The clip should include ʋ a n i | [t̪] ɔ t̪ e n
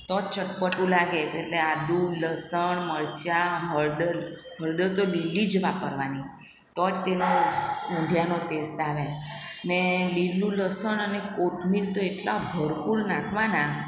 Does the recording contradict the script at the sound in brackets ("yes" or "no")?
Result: no